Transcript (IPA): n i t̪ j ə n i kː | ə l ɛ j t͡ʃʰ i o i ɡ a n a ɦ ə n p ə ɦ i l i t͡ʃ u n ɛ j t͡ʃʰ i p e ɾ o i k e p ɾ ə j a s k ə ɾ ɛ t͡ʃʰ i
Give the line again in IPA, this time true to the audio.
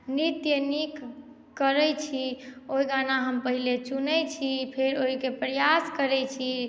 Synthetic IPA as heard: n i t̪ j ə n i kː | ə ɾ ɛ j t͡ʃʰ i o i ɡ a n a ɦ ə m p ə ɦ i l e t͡ʃ u n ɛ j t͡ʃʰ i pʰ e ɾ o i k e p ɾ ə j a s k ə ɾ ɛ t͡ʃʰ i